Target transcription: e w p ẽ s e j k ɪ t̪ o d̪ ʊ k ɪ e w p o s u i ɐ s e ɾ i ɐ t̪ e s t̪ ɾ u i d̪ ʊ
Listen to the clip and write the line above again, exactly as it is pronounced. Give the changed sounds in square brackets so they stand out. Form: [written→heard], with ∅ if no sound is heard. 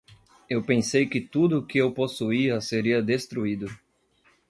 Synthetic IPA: e w p ẽ s e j k ɪ t̪ [o→u] d̪ ʊ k ɪ e w p o s u i ɐ s e ɾ i ɐ [t̪→d̪] e s t̪ ɾ u i d̪ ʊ